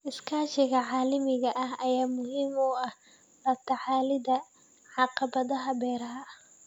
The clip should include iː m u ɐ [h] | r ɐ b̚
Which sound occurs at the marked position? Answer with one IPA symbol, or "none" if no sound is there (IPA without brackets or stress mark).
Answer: h